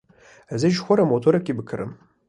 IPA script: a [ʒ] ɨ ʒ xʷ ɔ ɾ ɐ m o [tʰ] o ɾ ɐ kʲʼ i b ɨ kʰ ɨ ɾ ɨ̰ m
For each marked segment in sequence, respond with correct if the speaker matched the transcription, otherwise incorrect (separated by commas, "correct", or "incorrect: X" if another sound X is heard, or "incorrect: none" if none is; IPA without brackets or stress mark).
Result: incorrect: z, correct